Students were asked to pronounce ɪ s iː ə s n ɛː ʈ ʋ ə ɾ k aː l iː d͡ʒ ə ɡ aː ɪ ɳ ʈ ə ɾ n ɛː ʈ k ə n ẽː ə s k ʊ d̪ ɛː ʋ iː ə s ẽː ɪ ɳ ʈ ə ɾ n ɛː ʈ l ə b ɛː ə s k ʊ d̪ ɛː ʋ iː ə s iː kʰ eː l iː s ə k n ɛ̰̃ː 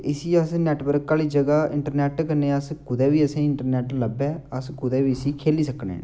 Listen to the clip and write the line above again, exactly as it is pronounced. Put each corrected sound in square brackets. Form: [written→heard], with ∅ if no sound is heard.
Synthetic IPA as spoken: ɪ s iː ə s n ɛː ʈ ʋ ə ɾ k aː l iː d͡ʒ ə ɡ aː ɪ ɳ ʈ ə ɾ n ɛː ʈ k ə n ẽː ə s k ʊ d̪ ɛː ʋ iː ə s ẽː ɪ ɳ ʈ ə ɾ n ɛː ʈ l ə b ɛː ə s k ʊ d̪ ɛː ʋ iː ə s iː kʰ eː l iː s ə k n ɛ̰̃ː